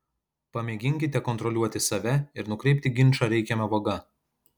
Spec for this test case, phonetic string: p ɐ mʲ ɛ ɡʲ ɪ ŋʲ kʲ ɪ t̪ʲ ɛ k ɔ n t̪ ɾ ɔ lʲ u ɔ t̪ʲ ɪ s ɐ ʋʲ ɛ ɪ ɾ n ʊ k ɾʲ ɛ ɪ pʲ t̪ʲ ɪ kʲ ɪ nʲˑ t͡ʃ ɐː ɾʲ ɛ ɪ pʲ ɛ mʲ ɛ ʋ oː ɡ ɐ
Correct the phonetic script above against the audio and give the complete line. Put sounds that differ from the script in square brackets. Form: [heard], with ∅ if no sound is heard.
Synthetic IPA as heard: p ɐ mʲ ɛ ɡʲ ɪ ŋʲ kʲ ɪ t̪ʲ ɛ k ɔ n t̪ ɾ ɔ lʲ u ɔ t̪ʲ ɪ s ɐ ʋʲ ɛ ɪ ɾ n ʊ k ɾʲ ɛ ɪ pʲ t̪ʲ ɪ [ɡʲ] ɪ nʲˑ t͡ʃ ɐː ɾʲ ɛ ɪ [kʲ] ɛ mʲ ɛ ʋ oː ɡ ɐ